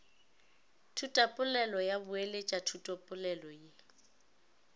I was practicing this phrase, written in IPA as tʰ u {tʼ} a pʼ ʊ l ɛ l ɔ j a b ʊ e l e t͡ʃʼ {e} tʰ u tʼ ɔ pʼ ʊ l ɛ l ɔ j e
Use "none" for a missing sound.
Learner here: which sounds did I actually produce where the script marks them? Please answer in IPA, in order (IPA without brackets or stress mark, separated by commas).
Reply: tʼ, a